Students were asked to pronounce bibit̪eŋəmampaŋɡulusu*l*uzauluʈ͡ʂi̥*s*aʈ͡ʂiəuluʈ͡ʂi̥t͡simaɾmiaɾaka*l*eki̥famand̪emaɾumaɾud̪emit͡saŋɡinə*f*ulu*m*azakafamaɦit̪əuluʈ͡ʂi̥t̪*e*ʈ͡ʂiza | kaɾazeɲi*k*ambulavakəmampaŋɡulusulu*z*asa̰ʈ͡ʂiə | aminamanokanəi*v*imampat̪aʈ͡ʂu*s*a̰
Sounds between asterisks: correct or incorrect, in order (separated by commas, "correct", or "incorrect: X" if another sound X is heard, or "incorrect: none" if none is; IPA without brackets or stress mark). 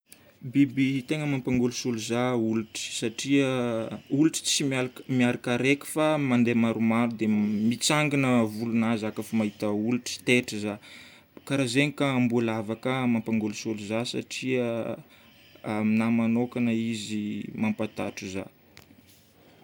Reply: correct, correct, incorrect: ɾ, incorrect: v, incorrect: n, correct, correct, correct, incorrect: z, incorrect: z